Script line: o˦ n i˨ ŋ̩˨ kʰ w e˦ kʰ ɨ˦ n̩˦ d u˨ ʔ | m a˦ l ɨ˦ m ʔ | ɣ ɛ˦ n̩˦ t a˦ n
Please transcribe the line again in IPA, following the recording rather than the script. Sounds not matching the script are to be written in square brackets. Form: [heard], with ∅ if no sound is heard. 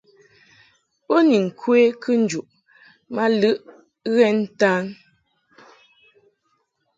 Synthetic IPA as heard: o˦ n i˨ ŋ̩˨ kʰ w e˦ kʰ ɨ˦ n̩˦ [d͡ʒ] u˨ ʔ | m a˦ l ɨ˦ [∅] ʔ | ɣ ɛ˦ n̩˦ t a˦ n